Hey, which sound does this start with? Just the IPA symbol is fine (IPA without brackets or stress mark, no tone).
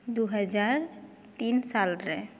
d̪